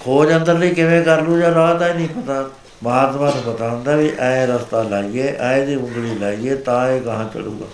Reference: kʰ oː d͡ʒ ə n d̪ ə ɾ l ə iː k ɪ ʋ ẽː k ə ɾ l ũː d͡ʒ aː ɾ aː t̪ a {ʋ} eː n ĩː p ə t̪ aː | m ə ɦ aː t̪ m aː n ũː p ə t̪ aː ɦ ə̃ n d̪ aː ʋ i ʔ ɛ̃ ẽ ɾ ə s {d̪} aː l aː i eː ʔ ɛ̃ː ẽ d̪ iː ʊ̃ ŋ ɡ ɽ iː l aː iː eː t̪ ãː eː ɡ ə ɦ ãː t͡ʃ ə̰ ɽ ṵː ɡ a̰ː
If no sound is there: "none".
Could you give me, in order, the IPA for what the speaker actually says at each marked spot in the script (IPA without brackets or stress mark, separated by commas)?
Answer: none, t̪